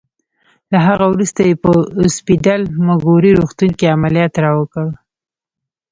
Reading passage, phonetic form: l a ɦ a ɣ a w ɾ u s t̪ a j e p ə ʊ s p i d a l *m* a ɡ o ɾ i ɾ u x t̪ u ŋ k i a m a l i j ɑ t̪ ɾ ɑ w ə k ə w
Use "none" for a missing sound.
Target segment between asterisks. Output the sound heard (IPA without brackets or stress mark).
m